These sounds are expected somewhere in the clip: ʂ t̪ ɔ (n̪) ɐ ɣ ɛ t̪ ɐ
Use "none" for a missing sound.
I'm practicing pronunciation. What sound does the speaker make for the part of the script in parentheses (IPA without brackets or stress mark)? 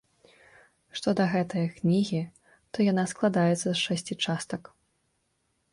d̪